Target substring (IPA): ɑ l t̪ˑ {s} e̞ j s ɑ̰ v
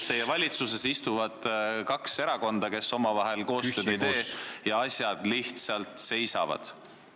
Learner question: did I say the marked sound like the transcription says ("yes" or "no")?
yes